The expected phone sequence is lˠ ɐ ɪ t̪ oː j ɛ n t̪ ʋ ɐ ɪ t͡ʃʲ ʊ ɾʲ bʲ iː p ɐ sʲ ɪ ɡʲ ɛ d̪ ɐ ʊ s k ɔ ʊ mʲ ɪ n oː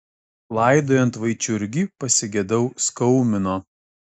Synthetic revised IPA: lˠ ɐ ɪ d̪ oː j ɛ n t̪ ʋ ɐ ɪ t͡ʃʲ ʊ ɾʲ ɡʲ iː p ɐ sʲ ɪ ɡʲ ɛ d̪ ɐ ʊ s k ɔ ʊ mʲ ɪ n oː